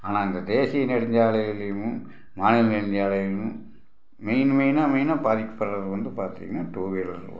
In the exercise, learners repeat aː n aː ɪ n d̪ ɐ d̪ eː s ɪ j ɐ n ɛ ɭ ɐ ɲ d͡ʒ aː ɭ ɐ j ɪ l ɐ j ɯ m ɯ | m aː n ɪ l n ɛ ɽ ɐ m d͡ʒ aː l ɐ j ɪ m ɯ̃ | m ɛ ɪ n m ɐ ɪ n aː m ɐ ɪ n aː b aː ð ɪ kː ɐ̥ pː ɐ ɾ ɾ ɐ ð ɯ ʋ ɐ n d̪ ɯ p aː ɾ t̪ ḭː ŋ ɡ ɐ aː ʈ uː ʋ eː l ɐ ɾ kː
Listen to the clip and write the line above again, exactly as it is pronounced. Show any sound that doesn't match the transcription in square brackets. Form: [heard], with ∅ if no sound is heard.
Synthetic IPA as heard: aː n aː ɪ n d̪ ɐ d̪ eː s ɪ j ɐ n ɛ [ɽ] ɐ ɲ d͡ʒ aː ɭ ɐ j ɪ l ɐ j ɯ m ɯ | m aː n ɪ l n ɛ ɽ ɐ [ɲ] d͡ʒ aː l ɐ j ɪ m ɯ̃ | m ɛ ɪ n m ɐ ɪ n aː m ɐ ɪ n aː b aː ð ɪ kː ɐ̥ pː ɐ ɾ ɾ ɐ ð ɯ ʋ ɐ n d̪ ɯ p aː ɾ t̪ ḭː ŋ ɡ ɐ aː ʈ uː ʋ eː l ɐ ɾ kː